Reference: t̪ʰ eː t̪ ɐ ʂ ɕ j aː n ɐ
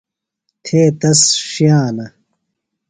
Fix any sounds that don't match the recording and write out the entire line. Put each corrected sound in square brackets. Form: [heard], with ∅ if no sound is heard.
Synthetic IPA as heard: t̪ʰ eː t̪ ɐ [s] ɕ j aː n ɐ